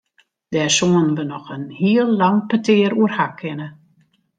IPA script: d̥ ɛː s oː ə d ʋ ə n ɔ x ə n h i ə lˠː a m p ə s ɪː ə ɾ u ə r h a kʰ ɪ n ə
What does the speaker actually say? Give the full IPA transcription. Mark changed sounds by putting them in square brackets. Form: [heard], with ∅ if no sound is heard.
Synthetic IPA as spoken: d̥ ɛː s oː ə [n] ʋ ə n ɔ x ə n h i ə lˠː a [ŋ] p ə [t] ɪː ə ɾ u ə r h a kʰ ɪ n ə